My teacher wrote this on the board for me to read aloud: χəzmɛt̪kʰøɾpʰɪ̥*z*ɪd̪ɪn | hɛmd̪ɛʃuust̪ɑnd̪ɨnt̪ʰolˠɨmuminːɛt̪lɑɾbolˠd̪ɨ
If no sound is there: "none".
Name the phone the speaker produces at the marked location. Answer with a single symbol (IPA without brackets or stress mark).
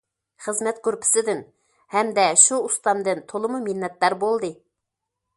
s